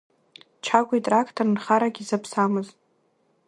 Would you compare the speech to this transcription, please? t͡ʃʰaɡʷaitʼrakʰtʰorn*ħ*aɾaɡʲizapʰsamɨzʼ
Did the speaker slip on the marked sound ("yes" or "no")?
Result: yes